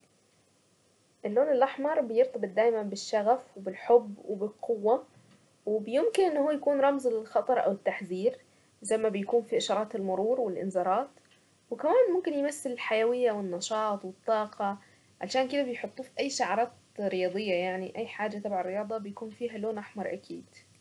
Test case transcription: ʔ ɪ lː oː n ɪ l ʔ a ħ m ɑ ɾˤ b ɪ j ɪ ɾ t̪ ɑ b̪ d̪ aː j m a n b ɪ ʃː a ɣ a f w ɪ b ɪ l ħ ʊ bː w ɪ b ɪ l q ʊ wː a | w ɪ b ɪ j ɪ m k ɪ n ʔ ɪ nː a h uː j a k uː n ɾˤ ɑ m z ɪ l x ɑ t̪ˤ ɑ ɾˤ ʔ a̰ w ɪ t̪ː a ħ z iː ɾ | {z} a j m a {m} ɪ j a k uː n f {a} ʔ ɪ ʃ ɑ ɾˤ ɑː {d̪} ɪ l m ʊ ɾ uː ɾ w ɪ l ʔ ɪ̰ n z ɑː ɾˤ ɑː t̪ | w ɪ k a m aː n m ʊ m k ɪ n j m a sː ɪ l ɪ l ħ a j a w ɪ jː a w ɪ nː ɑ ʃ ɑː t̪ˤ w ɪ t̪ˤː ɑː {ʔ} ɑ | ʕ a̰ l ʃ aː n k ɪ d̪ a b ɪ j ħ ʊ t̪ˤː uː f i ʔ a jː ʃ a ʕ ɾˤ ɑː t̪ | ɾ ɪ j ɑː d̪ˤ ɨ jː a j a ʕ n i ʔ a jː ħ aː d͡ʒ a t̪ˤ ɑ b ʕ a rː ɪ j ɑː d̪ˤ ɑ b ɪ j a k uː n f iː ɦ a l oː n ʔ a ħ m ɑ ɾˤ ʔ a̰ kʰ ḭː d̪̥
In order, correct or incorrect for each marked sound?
correct, incorrect: b, incorrect: i, incorrect: t̪, incorrect: q

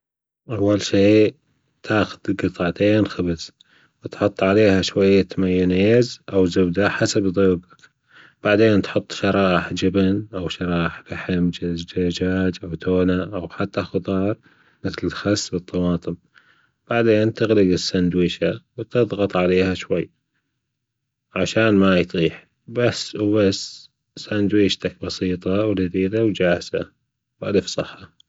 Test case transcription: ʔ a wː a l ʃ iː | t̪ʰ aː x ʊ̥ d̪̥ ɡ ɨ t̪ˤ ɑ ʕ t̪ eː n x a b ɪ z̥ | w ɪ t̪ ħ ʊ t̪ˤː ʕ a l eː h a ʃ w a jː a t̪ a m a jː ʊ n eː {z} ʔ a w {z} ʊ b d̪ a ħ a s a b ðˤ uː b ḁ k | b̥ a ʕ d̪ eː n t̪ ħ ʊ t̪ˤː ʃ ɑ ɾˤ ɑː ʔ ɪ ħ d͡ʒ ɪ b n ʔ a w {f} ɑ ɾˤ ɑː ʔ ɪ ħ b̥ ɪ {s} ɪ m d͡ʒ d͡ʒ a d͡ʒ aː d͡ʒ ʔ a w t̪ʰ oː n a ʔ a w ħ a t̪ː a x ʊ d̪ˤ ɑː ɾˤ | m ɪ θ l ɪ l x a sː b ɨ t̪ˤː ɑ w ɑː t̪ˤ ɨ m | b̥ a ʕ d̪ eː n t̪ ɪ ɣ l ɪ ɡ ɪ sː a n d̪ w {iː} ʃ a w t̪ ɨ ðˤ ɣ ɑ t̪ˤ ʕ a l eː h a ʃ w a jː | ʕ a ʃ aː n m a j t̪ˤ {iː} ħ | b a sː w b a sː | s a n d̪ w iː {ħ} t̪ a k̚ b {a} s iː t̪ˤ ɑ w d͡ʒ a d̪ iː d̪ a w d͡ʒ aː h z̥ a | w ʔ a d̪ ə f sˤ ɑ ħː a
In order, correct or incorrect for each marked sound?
correct, correct, incorrect: ʃ, incorrect: ħ, correct, correct, incorrect: ʃ, incorrect: ɑ

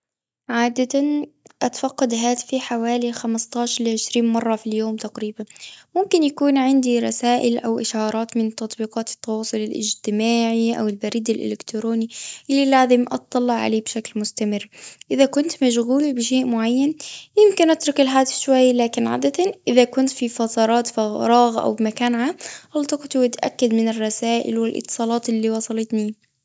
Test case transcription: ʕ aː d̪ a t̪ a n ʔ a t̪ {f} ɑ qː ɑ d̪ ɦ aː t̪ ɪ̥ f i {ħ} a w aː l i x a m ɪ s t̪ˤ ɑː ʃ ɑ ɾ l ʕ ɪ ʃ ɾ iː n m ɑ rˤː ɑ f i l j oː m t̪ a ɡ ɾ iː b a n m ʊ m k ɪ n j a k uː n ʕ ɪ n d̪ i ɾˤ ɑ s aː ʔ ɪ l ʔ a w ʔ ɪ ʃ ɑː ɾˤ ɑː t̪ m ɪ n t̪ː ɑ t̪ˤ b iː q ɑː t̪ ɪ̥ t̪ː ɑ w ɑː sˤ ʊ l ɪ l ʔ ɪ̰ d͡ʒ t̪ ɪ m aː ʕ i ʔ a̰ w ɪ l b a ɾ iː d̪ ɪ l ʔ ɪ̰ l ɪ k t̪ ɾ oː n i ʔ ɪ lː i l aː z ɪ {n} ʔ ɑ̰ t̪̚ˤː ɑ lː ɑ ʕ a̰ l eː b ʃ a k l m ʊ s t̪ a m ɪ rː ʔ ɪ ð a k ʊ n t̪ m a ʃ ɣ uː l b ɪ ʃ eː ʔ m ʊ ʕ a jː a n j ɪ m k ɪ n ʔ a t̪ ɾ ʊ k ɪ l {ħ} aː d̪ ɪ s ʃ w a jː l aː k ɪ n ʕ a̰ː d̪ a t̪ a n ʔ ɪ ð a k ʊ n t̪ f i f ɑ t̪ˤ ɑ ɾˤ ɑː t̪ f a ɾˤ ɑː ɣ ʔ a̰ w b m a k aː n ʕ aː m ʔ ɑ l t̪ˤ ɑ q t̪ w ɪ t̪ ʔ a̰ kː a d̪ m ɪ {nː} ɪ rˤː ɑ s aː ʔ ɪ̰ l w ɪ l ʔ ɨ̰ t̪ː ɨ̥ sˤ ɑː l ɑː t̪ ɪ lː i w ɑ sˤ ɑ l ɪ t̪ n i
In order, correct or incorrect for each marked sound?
correct, correct, incorrect: m, correct, incorrect: n

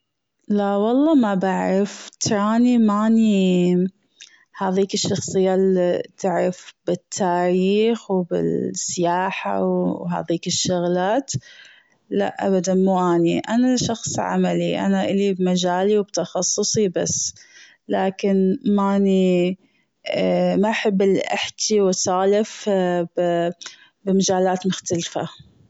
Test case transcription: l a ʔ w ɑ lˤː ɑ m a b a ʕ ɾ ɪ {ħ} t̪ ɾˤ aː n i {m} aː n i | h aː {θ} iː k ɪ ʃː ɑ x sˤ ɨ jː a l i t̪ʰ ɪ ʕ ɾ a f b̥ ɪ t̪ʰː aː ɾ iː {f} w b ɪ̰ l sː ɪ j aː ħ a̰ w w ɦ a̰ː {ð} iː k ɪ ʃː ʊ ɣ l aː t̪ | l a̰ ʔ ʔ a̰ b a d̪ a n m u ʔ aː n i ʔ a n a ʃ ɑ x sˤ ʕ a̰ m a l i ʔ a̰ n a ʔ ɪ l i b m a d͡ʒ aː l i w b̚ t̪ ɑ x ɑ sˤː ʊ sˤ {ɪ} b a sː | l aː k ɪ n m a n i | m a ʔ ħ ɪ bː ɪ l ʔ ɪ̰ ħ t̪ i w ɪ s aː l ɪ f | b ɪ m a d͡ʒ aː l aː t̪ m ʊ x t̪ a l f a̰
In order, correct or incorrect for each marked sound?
incorrect: f, correct, incorrect: ð, incorrect: x, correct, incorrect: i

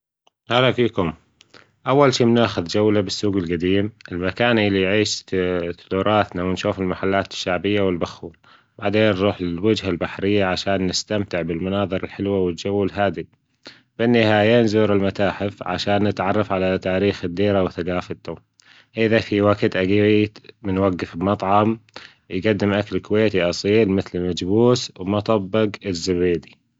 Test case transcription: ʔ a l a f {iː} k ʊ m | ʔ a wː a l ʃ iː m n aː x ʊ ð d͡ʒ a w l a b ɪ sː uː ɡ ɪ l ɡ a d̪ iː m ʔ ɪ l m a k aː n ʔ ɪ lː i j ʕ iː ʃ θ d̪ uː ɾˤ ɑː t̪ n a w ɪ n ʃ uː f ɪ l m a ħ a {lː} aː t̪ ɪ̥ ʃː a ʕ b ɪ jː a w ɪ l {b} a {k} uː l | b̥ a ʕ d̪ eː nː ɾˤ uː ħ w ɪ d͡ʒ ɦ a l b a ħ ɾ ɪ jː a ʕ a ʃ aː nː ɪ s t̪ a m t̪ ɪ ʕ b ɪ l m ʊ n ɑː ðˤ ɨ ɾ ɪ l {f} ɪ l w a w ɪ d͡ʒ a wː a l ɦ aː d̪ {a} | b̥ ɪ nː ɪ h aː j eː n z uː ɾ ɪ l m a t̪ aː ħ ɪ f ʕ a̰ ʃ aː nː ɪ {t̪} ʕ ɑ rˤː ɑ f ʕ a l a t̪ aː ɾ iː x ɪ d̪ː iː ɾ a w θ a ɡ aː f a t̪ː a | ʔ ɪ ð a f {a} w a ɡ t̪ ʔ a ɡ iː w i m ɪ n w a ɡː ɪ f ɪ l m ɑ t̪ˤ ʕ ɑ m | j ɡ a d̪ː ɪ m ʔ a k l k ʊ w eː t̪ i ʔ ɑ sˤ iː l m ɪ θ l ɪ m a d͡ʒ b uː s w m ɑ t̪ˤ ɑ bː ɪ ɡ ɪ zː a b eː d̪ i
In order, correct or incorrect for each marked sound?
correct, correct, correct, incorrect: x, incorrect: ħ, incorrect: i, correct, incorrect: i

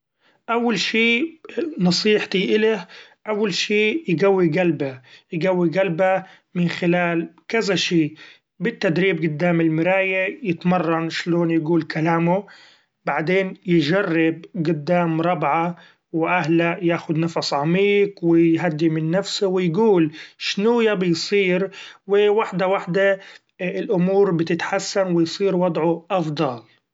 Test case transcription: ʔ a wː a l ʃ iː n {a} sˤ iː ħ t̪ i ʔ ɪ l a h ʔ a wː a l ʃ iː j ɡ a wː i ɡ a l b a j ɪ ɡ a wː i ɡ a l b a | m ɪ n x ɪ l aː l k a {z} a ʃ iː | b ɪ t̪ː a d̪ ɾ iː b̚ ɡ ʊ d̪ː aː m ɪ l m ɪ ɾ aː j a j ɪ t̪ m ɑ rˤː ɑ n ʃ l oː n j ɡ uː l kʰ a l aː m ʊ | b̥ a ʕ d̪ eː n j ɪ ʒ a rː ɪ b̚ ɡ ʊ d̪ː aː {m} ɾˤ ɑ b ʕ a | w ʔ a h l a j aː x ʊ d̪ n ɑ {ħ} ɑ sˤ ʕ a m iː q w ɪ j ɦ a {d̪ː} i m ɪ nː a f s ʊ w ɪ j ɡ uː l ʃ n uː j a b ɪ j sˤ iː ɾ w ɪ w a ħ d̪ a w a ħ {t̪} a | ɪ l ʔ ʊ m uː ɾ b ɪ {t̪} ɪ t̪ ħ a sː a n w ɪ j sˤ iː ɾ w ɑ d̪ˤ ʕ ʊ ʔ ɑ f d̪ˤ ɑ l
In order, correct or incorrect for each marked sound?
incorrect: ɑ, correct, correct, incorrect: f, correct, incorrect: d̪, correct

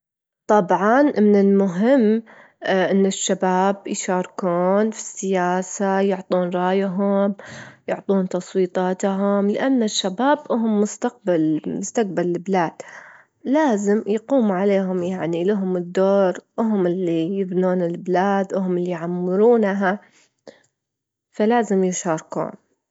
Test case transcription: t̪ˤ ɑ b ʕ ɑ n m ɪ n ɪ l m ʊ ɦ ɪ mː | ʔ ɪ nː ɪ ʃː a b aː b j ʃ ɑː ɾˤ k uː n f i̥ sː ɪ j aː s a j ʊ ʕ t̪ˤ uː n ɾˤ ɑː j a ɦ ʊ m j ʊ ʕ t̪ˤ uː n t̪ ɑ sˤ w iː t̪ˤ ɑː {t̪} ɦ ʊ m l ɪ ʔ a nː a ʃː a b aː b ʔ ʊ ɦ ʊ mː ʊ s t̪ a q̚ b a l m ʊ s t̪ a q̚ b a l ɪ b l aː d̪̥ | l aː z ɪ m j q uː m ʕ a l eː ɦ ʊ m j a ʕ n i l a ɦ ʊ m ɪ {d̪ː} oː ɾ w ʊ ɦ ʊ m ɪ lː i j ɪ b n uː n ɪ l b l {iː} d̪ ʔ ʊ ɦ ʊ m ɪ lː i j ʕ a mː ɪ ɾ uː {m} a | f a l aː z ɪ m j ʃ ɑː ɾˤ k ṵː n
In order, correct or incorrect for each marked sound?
correct, correct, incorrect: aː, incorrect: n

